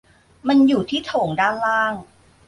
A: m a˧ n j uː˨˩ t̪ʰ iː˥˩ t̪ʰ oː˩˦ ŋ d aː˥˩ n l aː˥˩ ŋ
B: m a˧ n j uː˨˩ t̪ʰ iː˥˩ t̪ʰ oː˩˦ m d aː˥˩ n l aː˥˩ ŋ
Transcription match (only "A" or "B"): A